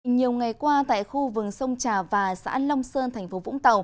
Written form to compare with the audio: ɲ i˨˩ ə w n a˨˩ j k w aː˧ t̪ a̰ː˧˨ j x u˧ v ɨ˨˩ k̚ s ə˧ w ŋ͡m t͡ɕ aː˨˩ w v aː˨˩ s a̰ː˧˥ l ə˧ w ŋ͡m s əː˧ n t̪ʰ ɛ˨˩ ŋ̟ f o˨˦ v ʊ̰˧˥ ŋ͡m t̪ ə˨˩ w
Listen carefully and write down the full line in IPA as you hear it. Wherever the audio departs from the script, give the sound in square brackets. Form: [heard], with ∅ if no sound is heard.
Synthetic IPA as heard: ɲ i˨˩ ə w [ŋ] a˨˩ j k w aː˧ t̪ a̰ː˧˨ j x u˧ v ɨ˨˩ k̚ s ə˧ w ŋ͡m t͡ɕ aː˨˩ [∅] v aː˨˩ s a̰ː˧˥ l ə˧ w ŋ͡m s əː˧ n t̪ʰ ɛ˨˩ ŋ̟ f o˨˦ v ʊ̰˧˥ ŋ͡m t̪ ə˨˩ w